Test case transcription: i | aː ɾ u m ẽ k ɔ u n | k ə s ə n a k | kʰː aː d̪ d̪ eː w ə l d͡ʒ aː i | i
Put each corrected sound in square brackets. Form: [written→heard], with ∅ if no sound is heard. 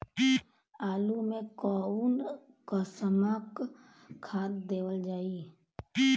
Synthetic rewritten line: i | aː [ɾ→l] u m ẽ k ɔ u n | k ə s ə [n→m] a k | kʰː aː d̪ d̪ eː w ə l d͡ʒ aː i | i

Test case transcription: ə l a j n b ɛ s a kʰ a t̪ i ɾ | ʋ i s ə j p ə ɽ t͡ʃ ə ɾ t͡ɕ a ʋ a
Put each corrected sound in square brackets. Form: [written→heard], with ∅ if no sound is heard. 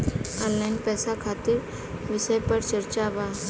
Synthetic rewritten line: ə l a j n [b→p] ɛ s a kʰ a t̪ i ɾ | ʋ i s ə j p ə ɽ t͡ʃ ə ɾ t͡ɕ a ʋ a

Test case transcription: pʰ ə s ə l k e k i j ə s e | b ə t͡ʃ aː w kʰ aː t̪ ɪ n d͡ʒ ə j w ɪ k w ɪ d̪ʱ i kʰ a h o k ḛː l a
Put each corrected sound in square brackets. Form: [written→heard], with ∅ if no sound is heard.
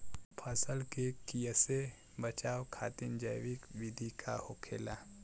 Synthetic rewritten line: pʰ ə s ə l k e k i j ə s e | b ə t͡ʃ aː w kʰ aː t̪ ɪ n d͡ʒ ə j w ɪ k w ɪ d̪ʱ i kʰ a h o [k→kʰ] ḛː l a

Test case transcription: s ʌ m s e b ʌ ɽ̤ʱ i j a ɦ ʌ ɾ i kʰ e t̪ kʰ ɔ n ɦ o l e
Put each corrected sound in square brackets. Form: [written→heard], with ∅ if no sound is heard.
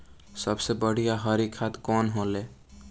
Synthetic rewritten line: s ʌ [m→b] s e b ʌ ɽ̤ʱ i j a ɦ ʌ ɾ i kʰ [e→a] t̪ [kʰ→k] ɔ n ɦ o l e

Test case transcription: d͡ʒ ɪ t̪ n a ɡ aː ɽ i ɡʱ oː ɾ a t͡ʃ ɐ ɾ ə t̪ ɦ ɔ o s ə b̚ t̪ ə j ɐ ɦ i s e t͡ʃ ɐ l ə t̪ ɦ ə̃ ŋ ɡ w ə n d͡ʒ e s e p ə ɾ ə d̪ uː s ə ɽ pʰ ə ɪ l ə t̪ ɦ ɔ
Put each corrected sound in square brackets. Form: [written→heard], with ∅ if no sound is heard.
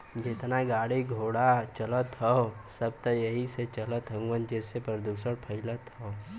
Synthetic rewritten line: d͡ʒ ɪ t̪ n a ɡ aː ɽ i ɡʱ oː [ɾ→ɽ] a t͡ʃ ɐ [ɾ→l] ə t̪ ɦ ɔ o s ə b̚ t̪ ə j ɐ ɦ i s e t͡ʃ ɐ l ə t̪ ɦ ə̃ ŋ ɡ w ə n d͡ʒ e s e p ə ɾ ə d̪ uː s ə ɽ pʰ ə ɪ l ə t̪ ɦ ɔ

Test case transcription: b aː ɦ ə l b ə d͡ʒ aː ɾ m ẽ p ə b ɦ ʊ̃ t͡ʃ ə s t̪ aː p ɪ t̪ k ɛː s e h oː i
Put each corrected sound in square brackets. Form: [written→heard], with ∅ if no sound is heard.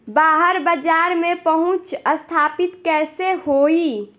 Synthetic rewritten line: b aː ɦ ə [l→ɾ] b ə d͡ʒ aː ɾ m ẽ p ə [b→∅] ɦ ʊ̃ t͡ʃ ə s [t̪→t̪ʰ] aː p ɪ t̪ k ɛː s e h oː i

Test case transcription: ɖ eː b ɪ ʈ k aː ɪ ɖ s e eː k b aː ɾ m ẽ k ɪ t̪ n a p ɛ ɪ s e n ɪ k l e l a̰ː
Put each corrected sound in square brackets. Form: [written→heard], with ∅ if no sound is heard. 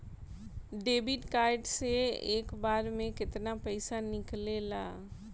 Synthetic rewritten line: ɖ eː b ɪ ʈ k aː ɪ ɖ s e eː k b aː ɾ m ẽ k ɪ t̪ n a p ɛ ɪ s [e→a] n ɪ k l e l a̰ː

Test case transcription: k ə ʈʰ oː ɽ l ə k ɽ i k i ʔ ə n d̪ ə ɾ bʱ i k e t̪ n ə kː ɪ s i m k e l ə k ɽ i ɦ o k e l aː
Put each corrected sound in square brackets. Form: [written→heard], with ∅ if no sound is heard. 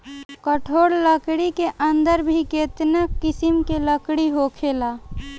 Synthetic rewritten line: k ə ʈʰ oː ɽ l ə k ɽ i k [i→e] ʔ ə n d̪ ə ɾ bʱ i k e t̪ n ə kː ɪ s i m k e l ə k ɽ i ɦ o [k→kʰ] e l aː

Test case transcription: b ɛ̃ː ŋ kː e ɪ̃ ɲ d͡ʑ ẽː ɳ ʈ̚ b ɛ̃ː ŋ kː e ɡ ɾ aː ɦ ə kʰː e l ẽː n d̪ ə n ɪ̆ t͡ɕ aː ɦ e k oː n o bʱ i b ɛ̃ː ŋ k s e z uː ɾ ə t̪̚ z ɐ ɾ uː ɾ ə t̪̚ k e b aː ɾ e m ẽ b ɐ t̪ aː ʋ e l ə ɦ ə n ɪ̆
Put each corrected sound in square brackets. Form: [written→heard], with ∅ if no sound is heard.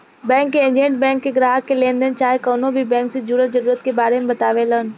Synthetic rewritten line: b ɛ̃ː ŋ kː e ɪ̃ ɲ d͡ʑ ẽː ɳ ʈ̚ b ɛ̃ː ŋ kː e ɡ ɾ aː ɦ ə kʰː e l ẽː n d̪ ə n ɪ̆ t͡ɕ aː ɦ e k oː n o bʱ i b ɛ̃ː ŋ k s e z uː ɾ ə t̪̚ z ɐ ɾ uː ɾ ə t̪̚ k e b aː ɾ e m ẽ b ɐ t̪ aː ʋ e l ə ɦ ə n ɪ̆

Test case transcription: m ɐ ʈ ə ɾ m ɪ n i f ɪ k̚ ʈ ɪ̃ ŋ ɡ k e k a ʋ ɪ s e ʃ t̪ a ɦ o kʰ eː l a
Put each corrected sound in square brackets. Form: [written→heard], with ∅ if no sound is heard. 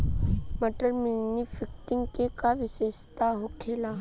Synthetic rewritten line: m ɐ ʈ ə ɾ m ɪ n i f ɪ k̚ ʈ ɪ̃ ŋ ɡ k e k a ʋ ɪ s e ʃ t̪ a ɦ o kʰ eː l a

